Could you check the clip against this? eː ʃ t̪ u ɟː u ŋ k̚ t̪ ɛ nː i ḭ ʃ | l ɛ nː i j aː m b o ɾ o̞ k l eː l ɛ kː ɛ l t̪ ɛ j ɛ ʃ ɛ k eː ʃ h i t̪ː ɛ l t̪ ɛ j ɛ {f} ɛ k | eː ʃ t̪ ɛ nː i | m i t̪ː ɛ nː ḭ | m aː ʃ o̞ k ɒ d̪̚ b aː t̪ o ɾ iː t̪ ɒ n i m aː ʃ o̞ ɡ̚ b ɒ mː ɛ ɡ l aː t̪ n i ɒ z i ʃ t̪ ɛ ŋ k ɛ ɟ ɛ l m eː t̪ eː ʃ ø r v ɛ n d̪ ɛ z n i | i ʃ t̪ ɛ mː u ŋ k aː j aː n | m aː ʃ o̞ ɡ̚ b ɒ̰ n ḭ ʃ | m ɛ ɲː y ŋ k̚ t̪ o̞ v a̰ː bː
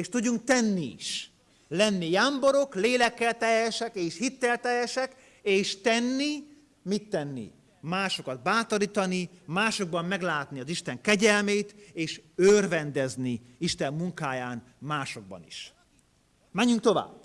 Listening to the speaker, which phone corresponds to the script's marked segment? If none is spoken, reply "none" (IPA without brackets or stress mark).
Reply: ʃ